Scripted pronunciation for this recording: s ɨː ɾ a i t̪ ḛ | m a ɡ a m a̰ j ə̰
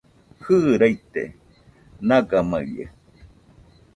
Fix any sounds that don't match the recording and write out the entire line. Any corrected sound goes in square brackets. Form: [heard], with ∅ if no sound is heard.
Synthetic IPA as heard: [h] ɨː ɾ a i t̪ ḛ | [n] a ɡ a m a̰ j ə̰